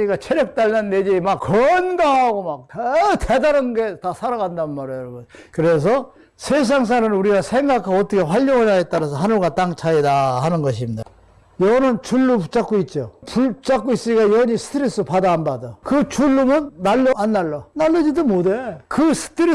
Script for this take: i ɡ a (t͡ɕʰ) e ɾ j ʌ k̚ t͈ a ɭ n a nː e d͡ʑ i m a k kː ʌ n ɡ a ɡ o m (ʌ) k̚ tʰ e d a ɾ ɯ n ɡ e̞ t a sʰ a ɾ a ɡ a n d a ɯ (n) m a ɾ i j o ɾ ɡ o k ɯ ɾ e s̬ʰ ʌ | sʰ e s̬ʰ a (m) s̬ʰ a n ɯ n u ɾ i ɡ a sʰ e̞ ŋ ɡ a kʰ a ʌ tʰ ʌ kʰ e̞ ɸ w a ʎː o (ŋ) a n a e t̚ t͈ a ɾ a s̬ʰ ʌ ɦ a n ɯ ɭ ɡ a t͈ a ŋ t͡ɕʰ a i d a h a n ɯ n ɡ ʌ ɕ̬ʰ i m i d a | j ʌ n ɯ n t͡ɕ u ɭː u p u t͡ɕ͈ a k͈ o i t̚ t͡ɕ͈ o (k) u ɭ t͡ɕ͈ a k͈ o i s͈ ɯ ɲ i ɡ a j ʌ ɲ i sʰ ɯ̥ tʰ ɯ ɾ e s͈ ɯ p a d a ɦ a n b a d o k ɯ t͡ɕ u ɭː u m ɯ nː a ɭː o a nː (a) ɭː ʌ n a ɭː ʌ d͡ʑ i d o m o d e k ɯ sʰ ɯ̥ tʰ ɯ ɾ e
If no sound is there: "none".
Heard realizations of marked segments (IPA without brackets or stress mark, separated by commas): t͡ɕʰ, a, n, ŋ, ŋ, p, a